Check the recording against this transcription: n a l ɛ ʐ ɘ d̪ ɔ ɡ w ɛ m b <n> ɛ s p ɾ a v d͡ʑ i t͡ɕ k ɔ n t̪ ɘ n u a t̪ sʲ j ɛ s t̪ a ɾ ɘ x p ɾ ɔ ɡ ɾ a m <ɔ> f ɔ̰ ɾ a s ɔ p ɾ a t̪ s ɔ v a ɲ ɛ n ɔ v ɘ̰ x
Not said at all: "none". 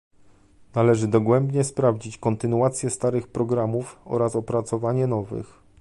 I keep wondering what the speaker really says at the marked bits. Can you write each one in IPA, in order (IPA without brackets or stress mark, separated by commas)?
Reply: ɲ, u